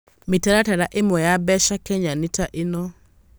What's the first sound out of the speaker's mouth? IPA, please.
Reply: m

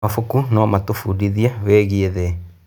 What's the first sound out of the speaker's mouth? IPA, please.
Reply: a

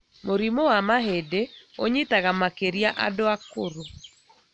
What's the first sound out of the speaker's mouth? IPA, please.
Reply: m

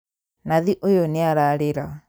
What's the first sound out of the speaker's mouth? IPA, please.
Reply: n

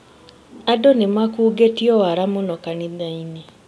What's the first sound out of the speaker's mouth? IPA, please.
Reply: a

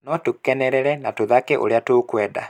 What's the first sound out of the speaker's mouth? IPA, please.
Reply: n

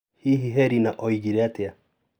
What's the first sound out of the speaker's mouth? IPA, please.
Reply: h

